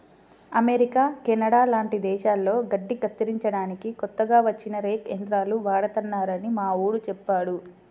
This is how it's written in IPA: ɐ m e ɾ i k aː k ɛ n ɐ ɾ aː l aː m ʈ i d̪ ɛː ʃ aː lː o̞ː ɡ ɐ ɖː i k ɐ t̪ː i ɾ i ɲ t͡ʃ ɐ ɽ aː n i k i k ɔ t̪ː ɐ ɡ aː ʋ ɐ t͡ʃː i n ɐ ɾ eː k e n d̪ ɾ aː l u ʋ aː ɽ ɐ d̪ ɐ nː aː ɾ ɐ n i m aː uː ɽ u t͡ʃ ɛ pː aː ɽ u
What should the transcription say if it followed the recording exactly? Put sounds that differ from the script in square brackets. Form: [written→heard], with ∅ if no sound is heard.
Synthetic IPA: ɐ m e ɾ i k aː k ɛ n ɐ [ɾ→ɽ] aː l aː [m→ɳ] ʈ i d̪ ɛː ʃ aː lː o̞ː ɡ ɐ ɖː i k ɐ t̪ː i ɾ i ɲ t͡ʃ ɐ ɽ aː n i k i k ɔ t̪ː ɐ ɡ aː ʋ ɐ t͡ʃː i n ɐ ɾ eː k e n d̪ ɾ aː l u ʋ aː ɽ ɐ [d̪→t̪] ɐ nː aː ɾ ɐ n i m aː uː ɽ u t͡ʃ ɛ pː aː ɽ u